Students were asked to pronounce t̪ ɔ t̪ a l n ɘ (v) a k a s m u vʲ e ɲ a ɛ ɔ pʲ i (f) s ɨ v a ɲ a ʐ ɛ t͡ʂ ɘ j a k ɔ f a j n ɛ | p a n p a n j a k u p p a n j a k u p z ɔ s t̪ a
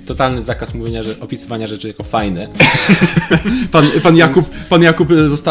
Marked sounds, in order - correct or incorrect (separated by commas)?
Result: incorrect, incorrect